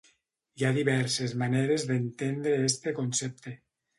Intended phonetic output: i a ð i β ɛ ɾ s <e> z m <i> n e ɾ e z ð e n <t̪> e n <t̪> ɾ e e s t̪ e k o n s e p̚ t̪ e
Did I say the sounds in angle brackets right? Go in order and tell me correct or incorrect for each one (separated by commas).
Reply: correct, incorrect, correct, incorrect